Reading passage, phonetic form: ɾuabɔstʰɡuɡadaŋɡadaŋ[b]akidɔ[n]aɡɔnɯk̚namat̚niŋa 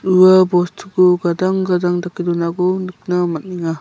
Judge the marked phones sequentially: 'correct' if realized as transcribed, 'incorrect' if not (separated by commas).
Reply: incorrect, correct